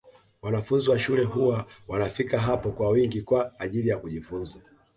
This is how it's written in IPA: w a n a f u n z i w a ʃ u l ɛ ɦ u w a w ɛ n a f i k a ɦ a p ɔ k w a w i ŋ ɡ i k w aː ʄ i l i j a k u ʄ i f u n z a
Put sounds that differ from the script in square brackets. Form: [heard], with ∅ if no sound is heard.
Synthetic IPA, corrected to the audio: w a n a f u n z i w a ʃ u l ɛ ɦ u w a w [a] n a f i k a ɦ a p ɔ k w a w i ŋ ɡ i k w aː ʄ i l i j a k u ʄ i f u n z a